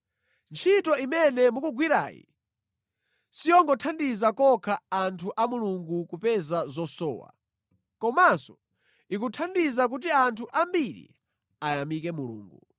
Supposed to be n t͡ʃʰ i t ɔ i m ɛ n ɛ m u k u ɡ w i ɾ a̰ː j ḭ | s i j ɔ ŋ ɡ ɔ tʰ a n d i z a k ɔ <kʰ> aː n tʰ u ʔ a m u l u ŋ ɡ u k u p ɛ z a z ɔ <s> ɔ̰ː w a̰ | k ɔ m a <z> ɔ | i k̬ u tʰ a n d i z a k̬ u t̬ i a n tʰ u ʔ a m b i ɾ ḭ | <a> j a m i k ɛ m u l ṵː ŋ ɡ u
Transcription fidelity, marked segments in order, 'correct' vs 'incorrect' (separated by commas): correct, correct, incorrect, correct